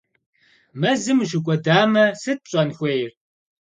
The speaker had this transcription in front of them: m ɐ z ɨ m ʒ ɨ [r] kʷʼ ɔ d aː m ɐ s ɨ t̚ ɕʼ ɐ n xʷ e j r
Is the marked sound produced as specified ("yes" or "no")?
no